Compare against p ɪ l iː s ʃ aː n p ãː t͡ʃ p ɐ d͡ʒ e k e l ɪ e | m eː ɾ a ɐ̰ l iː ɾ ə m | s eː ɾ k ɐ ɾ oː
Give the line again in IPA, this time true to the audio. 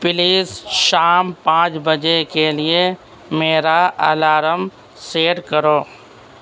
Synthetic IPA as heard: p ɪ l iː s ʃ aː m p ãː t͡ʃ b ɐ d͡ʒ e k e l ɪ e | m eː ɾ a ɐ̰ l aː ɾ ə m | s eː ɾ k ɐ ɾ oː